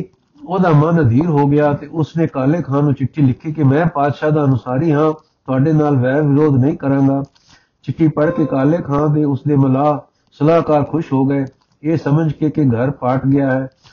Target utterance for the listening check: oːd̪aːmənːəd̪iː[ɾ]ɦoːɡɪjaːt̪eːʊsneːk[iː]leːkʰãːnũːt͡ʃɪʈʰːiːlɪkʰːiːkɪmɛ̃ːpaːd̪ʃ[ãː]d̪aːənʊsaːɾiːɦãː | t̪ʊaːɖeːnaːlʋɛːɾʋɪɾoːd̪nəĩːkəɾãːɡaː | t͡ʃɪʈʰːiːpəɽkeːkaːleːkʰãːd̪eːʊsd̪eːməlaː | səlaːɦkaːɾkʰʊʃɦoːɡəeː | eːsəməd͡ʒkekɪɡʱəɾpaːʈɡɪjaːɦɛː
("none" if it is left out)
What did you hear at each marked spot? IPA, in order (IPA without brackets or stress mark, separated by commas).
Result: ɾ, aː, aː